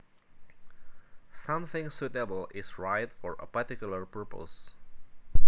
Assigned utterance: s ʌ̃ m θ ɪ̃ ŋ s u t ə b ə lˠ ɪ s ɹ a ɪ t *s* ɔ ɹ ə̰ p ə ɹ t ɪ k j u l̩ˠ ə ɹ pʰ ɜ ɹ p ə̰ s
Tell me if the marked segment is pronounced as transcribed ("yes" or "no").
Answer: no